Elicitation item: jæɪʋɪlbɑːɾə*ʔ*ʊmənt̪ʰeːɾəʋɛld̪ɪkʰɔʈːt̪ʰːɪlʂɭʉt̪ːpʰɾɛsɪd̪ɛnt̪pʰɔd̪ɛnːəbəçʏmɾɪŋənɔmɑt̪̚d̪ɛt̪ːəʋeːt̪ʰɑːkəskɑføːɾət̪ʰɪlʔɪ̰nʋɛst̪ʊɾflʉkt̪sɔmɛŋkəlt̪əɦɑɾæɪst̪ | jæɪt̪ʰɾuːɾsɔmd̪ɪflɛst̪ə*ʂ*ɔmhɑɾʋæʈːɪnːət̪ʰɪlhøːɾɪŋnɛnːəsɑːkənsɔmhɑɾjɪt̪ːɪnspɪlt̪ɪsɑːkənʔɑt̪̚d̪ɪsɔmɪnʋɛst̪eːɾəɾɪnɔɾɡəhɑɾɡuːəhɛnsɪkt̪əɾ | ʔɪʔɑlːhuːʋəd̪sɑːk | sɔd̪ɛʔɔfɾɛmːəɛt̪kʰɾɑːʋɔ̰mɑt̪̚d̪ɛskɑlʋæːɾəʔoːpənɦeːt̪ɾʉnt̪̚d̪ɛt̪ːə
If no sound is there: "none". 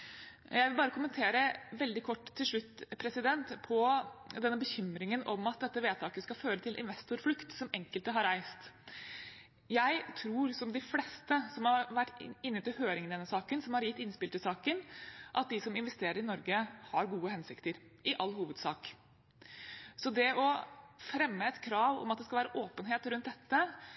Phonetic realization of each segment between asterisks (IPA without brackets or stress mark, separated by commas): k, s